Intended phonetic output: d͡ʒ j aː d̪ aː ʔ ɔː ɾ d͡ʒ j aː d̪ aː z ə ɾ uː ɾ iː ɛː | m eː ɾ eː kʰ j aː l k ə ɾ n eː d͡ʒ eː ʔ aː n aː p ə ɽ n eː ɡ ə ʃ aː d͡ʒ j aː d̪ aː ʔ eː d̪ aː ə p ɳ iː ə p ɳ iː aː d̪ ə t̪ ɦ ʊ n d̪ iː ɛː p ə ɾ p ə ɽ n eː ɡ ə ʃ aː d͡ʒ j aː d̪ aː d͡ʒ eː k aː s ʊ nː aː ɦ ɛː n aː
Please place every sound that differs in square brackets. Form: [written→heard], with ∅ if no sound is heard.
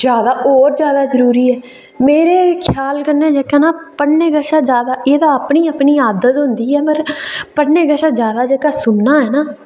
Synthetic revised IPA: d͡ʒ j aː d̪ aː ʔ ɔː ɾ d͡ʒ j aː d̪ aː z ə ɾ uː ɾ iː ɛː | m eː ɾ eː kʰ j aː l k ə ɾ n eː d͡ʒ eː [ʔ→k] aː n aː p ə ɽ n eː ɡ ə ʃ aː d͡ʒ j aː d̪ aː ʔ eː d̪ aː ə p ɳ iː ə p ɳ iː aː d̪ ə t̪ ɦ ʊ n d̪ iː ɛː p ə ɾ p ə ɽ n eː ɡ ə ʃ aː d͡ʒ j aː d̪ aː d͡ʒ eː k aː s ʊ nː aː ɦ ɛː n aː